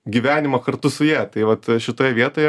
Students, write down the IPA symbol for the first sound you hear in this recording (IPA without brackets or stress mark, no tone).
ɡʲ